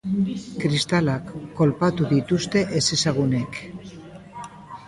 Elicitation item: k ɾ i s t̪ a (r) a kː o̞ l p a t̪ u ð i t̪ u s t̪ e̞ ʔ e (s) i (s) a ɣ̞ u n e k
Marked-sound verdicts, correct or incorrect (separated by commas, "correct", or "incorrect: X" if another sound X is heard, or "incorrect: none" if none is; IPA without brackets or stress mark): incorrect: l, correct, correct